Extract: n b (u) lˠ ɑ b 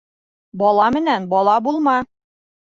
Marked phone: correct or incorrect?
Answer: incorrect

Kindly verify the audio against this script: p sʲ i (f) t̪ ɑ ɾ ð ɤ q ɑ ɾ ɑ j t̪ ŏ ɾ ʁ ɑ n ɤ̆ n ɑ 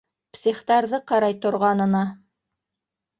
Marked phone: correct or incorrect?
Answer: incorrect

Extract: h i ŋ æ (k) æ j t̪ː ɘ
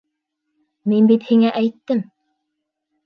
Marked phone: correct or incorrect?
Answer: incorrect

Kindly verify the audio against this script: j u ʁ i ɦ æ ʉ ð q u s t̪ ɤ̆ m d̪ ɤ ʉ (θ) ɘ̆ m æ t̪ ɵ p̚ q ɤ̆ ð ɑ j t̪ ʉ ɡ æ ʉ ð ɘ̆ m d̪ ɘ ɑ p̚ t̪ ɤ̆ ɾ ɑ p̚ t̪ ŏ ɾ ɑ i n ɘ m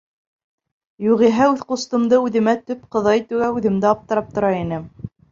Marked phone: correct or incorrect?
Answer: incorrect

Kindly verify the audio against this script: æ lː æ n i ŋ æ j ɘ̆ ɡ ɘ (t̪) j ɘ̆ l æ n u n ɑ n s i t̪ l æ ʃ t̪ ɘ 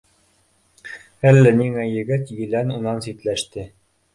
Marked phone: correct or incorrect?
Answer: correct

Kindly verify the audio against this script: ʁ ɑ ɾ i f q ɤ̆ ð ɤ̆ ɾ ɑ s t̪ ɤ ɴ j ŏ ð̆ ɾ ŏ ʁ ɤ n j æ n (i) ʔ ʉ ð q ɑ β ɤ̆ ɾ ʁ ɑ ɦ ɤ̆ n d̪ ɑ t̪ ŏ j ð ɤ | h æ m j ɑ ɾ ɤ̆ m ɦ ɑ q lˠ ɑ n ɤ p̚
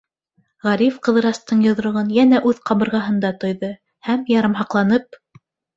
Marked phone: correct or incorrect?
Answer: incorrect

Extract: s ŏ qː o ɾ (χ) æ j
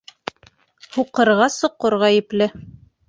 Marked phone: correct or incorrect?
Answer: incorrect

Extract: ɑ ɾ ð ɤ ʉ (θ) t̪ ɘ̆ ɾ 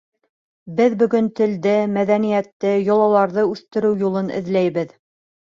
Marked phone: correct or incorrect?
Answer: correct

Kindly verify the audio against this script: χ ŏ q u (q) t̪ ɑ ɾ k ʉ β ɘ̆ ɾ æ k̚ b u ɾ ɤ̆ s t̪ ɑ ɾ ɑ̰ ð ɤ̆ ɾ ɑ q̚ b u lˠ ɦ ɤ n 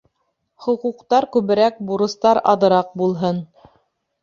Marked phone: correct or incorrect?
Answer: correct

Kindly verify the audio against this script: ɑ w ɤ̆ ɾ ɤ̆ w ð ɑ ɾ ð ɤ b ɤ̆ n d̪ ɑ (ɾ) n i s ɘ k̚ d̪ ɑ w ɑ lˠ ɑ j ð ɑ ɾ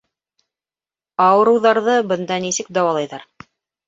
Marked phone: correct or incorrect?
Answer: incorrect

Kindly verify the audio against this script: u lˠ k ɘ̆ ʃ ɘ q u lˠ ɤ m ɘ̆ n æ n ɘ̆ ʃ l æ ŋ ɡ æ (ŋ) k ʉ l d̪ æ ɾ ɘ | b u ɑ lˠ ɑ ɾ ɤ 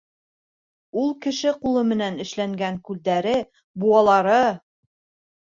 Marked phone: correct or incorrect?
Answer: correct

